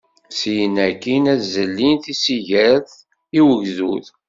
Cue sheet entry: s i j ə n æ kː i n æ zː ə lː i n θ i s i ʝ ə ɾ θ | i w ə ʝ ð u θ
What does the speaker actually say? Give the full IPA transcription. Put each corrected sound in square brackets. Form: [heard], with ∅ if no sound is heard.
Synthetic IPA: s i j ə n æ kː i n æ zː ə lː i n θ i s i ʝ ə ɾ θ | i w ə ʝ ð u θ

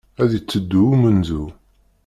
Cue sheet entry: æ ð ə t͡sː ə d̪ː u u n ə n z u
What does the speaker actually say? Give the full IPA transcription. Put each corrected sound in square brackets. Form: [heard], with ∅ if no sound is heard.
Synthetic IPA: æ ð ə t͡sː ə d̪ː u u [m] ə n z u

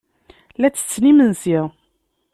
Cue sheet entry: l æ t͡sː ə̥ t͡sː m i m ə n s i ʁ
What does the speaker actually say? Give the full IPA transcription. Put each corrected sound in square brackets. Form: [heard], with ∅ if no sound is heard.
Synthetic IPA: l æ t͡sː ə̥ t͡sː [n] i m ə n s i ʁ

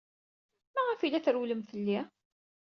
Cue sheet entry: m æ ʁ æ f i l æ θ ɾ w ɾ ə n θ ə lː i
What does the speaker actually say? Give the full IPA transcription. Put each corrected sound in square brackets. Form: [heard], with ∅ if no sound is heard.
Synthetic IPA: m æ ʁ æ f i l æ θ ɾ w [l] ə [m] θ ə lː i

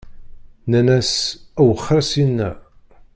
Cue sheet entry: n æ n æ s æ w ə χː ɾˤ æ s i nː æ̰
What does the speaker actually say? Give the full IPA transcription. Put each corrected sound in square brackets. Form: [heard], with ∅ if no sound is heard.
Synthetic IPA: n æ n æ s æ w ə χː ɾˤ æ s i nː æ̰

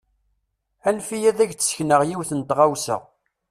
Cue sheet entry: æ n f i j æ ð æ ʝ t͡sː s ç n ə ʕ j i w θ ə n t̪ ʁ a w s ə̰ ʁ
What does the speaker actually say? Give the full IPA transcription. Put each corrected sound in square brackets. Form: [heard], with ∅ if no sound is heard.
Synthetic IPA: æ n f i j æ ð æ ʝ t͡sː s ç n ə [ʁ] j i w θ ə n t̪ ʁ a w s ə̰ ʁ

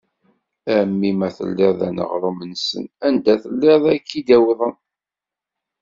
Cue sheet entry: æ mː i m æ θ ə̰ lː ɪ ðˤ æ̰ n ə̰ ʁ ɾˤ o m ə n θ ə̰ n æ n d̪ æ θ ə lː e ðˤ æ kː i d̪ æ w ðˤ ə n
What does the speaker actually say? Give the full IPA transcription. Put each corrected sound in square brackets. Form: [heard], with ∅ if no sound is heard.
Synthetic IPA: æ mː i m æ θ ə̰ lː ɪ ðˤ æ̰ n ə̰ ʁ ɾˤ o m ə n [s] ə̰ n æ n d̪ æ θ ə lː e ðˤ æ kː i d̪ æ w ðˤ ə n

